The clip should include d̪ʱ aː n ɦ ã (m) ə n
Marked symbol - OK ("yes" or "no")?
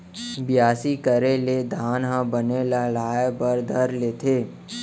no